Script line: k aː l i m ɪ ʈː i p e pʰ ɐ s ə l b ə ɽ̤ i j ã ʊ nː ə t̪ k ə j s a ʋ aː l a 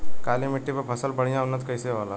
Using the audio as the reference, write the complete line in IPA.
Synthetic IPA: k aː l i m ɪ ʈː i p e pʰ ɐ s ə l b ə ɽ̤ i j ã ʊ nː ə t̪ k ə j s e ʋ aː l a

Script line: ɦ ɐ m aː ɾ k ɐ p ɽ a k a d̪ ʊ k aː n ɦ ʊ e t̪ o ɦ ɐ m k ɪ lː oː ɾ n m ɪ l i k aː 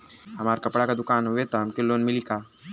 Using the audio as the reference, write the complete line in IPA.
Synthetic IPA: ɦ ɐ m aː ɾ k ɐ p ɽ a k a d̪ ʊ k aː n ɦ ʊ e t̪ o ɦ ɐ m k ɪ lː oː n m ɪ l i k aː

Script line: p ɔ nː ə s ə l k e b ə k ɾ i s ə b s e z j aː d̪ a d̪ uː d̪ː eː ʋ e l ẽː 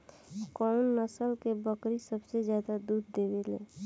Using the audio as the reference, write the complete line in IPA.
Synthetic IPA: k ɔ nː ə s ə l k e b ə k ɾ i s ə b s e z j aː d̪ a d̪ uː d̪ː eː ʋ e l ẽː

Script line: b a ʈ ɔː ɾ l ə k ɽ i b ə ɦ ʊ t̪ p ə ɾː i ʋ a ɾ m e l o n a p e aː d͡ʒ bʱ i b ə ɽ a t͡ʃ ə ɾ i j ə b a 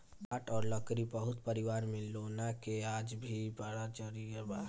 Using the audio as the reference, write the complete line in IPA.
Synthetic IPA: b a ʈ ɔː ɾ l ə k ɾ i b ə ɦ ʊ t̪ p ə ɾ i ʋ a ɾ m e l o n a k e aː d͡ʒ bʱ i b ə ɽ a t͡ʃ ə ɾ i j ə b a

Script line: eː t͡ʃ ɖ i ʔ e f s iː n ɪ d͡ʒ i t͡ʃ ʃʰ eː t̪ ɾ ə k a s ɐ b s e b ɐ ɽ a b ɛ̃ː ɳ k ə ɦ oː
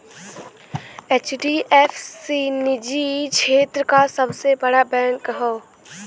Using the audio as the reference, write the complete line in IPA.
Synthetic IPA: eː t͡ʃ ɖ i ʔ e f s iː n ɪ d͡ʒ i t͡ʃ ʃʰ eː t̪ ɾ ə k a s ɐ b s e b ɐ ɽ a b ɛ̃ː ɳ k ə ɦ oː

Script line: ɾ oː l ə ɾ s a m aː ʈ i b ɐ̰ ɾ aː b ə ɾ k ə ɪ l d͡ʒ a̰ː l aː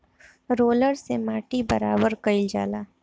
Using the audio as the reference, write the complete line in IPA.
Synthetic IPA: ɾ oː l ə ɾ s e m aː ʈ i b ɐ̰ ɾ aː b ə ɾ k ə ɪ l d͡ʒ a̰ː l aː

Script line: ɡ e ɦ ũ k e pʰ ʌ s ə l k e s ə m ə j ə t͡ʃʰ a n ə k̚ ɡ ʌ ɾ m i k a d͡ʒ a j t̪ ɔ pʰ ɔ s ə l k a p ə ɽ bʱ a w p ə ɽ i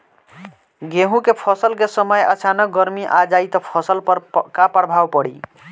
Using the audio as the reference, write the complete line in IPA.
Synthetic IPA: ɡ e ɦ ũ k e pʰ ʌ s ə l k e s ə m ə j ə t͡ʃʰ a n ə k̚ ɡ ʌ ɾ m i ʔ a d͡ʒ a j t̪ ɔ pʰ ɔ s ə l k a p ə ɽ bʱ a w p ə ɽ i

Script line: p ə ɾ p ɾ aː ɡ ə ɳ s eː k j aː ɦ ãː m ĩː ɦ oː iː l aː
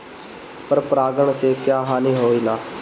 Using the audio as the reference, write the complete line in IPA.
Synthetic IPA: p ə ɾ p ɾ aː ɡ ə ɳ s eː k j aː ɦ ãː n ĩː ɦ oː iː l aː

